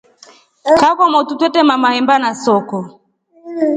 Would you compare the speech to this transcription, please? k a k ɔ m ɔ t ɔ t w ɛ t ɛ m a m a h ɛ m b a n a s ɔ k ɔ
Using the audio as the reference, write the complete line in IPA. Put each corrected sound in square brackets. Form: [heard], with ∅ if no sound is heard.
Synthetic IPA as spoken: k a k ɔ m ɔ t [u] t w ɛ t ɛ m a m a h ɛ m b a n a s ɔ k ɔ